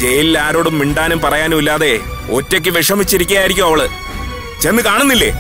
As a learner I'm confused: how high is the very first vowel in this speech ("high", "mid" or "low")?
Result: mid